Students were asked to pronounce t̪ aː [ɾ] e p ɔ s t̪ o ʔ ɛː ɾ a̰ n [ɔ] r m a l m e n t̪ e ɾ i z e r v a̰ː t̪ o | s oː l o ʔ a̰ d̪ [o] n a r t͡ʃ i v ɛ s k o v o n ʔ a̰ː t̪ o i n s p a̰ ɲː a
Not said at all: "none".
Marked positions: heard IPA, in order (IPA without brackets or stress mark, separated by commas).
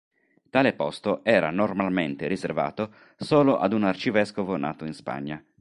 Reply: l, o, u